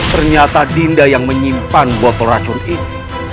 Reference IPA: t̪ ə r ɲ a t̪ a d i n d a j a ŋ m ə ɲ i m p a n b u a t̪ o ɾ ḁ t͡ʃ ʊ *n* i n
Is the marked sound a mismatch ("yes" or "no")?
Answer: no